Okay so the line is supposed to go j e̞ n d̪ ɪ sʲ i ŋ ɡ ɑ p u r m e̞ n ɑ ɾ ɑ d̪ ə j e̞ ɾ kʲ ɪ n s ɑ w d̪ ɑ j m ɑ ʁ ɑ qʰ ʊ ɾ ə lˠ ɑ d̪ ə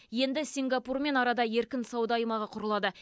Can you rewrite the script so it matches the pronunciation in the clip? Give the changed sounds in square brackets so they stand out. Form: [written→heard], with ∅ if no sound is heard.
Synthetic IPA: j e̞ n d̪ ɪ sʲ i ŋ ɡ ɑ p u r m e̞ n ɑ ɾ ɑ d̪ [ə→ɑ] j e̞ ɾ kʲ ɪ n s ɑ w d̪ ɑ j m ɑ ʁ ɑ qʰ ʊ ɾ ə lˠ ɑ d̪ ə